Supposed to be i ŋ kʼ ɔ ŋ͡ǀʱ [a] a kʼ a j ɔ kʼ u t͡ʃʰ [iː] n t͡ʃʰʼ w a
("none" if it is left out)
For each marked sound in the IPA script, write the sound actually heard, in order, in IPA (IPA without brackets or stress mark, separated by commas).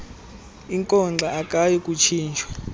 a, iː